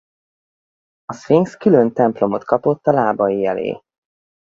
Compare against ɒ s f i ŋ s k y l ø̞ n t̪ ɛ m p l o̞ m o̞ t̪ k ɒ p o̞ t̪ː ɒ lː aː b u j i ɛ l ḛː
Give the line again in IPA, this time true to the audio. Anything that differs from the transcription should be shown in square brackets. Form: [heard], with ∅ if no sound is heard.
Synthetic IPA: ɒ s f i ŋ s k y l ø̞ n t̪ ɛ m p l o̞ m o̞ t̪ k ɒ p o̞ t̪ː ɒ [l] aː b [ɒ] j i ɛ l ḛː

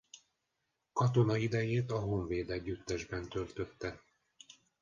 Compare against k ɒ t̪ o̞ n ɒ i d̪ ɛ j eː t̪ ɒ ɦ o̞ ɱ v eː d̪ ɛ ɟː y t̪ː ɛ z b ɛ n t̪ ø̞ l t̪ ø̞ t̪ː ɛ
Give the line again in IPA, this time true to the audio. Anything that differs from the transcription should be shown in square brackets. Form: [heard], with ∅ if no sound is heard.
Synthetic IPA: k ɒ t̪ o̞ n ɒ i d̪ ɛ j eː t̪ ɒ ɦ o̞ ɱ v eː d̪ ɛ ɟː y t̪ː ɛ [ʒ] b ɛ n t̪ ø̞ l t̪ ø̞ t̪ː ɛ

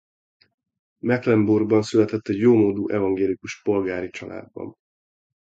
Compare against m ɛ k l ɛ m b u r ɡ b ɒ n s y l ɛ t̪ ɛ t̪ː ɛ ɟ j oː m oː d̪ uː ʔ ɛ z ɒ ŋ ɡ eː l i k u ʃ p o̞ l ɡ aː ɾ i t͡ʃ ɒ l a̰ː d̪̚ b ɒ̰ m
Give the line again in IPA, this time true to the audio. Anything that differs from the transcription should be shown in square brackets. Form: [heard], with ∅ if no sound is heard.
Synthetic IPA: m ɛ k l ɛ m b u r ɡ b ɒ n s y l ɛ t̪ ɛ t̪ː ɛ ɟ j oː m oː d̪ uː ʔ ɛ [v] ɒ ŋ ɡ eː l i k u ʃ p o̞ l ɡ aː ɾ i t͡ʃ ɒ l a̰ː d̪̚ b ɒ̰ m

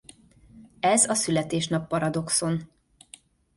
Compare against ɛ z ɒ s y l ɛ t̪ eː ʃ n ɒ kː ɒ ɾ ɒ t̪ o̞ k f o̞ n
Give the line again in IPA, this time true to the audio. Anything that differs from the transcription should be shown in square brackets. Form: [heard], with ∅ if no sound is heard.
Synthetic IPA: ɛ z ɒ s y l ɛ t̪ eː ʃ n ɒ [pː] ɒ ɾ ɒ [d̪] o̞ k [s] o̞ n

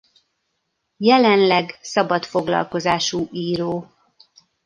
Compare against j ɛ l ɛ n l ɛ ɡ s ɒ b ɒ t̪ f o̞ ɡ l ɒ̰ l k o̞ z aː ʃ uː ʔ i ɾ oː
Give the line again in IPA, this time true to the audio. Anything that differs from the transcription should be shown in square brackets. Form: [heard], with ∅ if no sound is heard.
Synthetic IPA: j ɛ l ɛ n l ɛ ɡ s ɒ b ɒ t̪ f o̞ ɡ l ɒ̰ l k o̞ z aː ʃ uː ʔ [iː] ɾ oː

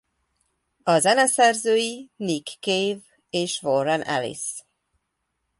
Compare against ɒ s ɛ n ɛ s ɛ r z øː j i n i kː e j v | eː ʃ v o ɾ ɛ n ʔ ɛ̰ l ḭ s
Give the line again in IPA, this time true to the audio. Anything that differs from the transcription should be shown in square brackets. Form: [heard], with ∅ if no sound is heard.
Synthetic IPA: ɒ [z] ɛ n ɛ s ɛ r z øː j i n i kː e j v | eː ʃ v o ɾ ɛ n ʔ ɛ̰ l ḭ s

